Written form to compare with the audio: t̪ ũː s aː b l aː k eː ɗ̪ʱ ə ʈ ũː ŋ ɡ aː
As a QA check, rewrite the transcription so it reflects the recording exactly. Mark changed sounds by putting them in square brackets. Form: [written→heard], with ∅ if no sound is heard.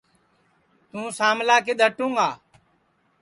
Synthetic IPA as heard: t̪ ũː s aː [b→m] l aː k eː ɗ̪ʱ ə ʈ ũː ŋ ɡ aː